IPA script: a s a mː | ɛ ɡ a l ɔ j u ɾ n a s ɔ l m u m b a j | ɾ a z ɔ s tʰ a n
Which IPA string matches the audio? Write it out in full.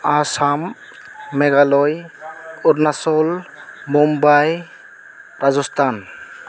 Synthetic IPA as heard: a s a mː | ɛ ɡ a l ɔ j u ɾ n a s ɔ l m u m b a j | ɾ a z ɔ s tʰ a n